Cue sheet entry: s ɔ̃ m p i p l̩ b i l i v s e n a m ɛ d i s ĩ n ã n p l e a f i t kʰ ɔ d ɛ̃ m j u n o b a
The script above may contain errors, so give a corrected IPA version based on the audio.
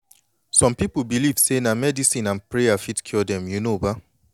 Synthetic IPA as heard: s ɔ̃ m p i p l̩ b i l i v s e n a m ɛ d i s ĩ n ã n p ɹ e a f i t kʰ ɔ d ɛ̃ m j u n o b a